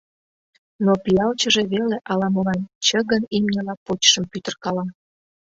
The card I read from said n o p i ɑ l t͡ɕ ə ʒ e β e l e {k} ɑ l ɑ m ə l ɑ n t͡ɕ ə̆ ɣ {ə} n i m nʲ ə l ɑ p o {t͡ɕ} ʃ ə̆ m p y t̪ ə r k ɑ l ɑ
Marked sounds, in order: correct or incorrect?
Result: incorrect: ʔ, correct, correct

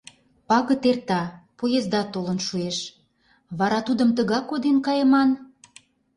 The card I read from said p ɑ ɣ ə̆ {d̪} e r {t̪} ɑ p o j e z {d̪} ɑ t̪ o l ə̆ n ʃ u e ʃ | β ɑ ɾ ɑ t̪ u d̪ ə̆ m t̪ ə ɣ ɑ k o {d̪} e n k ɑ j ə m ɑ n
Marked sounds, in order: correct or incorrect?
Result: incorrect: t̪, correct, correct, correct

